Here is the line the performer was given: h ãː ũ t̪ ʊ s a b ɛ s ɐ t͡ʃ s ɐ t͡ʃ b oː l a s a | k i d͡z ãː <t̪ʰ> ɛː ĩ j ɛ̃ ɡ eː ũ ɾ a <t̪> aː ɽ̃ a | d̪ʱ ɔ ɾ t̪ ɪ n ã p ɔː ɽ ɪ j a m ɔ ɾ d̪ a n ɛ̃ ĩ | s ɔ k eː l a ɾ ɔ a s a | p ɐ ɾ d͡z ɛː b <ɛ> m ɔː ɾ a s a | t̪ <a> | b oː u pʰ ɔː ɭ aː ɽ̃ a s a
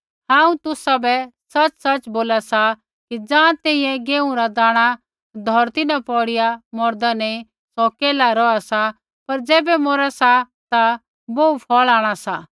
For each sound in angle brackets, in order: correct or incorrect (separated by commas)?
incorrect, incorrect, correct, correct